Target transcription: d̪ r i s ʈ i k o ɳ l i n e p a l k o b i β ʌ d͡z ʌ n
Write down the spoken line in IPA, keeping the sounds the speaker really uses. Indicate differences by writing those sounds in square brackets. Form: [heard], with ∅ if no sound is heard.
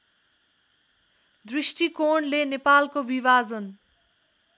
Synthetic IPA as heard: d̪ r i s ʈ i k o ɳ l [e] n e p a l k o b i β [a] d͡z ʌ n